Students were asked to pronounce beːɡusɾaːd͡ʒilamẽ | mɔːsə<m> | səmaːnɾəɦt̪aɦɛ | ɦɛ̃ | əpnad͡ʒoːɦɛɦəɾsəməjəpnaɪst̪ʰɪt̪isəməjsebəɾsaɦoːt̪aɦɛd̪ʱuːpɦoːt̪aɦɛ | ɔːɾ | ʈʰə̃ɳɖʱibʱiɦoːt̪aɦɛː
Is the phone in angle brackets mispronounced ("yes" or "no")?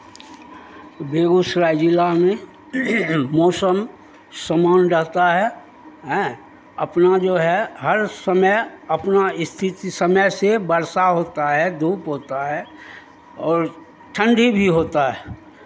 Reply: no